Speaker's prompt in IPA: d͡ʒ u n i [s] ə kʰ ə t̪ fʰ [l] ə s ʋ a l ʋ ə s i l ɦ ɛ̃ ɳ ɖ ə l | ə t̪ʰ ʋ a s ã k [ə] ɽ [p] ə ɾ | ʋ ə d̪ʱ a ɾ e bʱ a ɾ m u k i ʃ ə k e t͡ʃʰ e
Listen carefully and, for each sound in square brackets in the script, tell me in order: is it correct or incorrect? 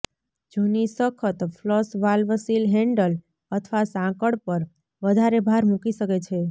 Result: correct, correct, correct, correct

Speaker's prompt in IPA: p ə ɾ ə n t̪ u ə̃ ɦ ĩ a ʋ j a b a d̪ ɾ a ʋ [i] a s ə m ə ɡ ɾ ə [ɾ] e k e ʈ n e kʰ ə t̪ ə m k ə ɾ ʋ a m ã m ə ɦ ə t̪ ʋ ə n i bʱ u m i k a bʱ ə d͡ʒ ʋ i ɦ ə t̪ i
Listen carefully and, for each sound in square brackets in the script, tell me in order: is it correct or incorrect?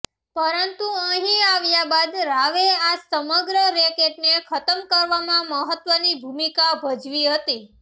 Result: incorrect: e, correct

